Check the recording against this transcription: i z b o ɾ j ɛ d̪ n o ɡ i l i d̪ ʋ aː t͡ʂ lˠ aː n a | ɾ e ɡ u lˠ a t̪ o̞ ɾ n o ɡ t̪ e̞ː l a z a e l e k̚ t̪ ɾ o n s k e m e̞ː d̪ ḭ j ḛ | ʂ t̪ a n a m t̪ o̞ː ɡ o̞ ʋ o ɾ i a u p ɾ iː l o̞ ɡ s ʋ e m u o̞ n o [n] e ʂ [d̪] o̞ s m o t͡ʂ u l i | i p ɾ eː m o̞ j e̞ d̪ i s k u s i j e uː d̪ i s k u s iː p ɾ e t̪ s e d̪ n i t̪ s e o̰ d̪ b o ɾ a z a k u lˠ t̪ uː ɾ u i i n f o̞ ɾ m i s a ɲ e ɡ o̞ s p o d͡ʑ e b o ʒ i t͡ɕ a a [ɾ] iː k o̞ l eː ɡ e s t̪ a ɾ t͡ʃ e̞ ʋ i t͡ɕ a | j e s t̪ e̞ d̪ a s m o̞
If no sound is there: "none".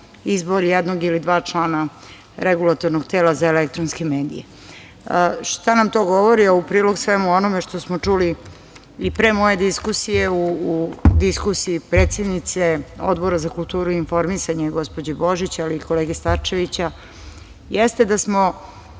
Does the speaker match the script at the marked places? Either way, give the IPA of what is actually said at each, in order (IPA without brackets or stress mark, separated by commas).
m, t̪, l